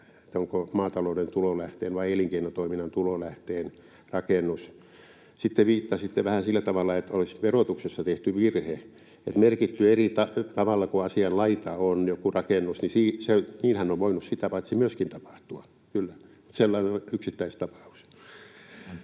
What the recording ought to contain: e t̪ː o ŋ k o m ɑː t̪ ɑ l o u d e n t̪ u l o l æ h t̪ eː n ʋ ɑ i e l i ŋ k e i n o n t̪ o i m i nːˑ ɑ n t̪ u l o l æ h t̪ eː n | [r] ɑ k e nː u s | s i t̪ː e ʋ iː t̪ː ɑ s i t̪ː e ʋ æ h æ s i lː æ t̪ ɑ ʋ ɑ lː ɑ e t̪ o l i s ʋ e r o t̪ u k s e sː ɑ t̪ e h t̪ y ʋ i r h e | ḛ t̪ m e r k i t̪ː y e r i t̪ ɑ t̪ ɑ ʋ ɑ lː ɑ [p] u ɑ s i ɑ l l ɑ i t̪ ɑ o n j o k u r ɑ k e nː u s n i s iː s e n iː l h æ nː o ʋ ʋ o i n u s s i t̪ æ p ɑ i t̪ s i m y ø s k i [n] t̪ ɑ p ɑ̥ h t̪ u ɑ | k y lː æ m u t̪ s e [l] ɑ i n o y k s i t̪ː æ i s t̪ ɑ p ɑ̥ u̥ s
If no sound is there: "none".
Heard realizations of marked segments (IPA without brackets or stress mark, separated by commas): r, k, n, lː